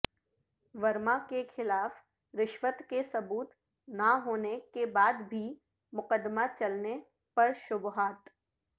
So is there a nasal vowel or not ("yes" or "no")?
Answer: no